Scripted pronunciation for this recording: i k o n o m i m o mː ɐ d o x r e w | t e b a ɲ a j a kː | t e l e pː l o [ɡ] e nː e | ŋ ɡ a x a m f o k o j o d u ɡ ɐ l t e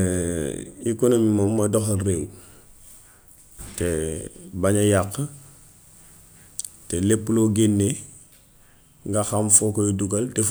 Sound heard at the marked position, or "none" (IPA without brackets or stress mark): ɡ